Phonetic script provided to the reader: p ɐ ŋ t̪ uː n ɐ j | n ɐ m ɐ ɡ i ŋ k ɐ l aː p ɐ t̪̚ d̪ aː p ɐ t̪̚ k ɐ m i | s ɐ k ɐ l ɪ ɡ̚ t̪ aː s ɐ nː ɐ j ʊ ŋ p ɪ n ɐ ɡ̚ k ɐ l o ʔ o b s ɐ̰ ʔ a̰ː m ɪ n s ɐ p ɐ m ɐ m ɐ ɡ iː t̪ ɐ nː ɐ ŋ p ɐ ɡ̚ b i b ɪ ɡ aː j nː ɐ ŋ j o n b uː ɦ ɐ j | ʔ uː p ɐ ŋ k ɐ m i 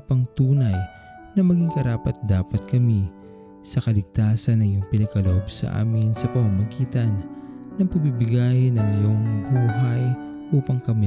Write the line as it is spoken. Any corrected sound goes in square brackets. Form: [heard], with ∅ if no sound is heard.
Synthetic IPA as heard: p ɐ ŋ t̪ uː n ɐ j | n ɐ m ɐ ɡ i ŋ k ɐ [ɾ] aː p ɐ t̪̚ d̪ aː p ɐ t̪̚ k ɐ m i | s ɐ k ɐ l ɪ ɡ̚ t̪ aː s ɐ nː ɐ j ʊ ŋ p ɪ n ɐ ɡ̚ k ɐ l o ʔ o b s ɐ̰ ʔ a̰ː m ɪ n s ɐ p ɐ m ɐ m ɐ ɡ iː t̪ ɐ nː ɐ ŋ p ɐ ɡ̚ b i b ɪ ɡ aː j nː ɐ ŋ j o [ŋ] b uː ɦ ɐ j | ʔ uː p ɐ ŋ k ɐ m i